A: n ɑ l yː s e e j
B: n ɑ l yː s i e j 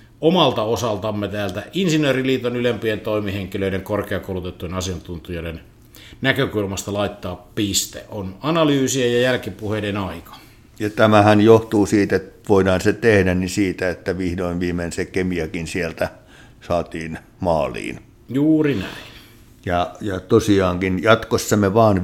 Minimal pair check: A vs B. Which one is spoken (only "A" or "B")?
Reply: B